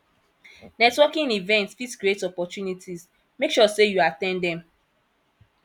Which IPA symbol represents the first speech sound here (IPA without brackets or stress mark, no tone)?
n